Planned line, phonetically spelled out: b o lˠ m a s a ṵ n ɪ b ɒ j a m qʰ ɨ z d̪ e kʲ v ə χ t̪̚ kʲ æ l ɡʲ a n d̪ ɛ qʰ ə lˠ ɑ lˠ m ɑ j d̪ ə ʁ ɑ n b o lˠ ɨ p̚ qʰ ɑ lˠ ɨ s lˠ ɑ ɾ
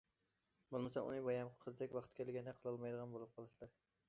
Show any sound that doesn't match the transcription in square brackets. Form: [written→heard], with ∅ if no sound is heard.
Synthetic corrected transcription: b o lˠ m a s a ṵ n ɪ b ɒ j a m qʰ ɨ z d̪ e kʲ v [ə→ɑ] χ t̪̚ kʲ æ l ɡʲ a n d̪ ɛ qʰ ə lˠ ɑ lˠ m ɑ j d̪ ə ʁ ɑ n b o lˠ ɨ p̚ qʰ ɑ lˠ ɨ [s→ʃ] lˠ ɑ ɾ